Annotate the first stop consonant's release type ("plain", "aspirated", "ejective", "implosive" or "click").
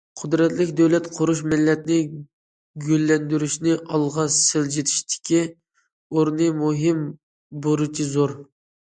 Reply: aspirated